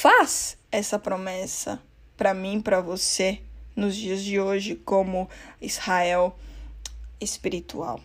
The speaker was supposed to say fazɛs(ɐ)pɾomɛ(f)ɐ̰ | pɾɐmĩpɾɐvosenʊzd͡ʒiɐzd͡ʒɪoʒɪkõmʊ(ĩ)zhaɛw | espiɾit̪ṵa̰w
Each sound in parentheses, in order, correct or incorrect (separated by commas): correct, incorrect, incorrect